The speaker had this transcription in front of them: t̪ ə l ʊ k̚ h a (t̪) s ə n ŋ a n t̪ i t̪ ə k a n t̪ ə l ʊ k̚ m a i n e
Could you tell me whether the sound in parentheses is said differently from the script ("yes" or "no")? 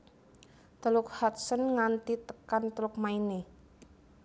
no